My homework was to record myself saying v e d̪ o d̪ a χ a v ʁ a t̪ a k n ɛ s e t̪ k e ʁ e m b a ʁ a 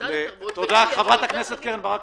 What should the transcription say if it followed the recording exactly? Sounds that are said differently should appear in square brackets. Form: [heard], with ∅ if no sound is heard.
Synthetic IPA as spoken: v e [t̪] o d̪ a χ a v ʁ a t̪ a k n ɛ s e t̪ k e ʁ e [n] b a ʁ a